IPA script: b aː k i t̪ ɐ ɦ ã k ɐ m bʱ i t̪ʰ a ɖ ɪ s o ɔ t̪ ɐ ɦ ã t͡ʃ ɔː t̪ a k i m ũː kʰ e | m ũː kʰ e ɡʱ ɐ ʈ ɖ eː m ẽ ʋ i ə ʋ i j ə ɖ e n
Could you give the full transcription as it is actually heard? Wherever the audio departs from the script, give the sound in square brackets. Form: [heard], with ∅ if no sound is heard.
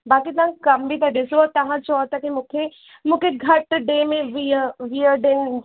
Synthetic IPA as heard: b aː k i t̪ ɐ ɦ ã k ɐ m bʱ i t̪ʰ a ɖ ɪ s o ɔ t̪ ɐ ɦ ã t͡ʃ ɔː t̪ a k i m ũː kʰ e | m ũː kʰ e ɡʱ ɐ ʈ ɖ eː m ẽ ʋ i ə ʋ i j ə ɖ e n